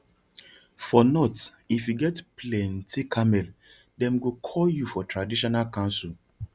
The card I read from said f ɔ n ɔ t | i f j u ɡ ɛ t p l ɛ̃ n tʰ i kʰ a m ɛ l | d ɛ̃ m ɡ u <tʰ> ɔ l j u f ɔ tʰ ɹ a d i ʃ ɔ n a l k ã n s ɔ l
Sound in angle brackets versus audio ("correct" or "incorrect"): incorrect